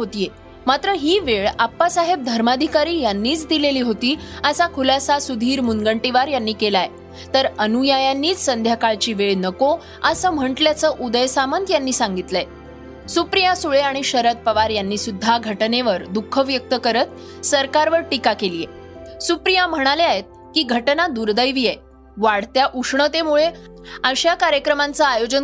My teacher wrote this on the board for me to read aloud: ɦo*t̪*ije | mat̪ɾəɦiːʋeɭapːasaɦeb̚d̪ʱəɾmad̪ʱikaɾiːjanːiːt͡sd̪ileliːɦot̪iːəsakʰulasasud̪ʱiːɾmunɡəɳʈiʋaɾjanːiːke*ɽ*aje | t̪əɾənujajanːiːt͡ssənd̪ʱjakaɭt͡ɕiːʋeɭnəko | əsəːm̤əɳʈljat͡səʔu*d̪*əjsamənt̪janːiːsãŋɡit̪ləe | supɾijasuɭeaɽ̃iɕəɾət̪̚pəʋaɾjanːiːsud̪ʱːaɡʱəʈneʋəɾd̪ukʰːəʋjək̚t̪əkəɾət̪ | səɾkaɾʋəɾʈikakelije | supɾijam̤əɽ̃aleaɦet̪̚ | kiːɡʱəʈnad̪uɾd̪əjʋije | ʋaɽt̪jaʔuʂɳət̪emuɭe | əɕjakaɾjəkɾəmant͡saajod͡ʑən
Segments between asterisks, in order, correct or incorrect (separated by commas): correct, incorrect, correct